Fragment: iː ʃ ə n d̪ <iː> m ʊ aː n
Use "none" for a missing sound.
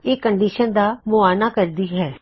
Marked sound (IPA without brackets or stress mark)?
aː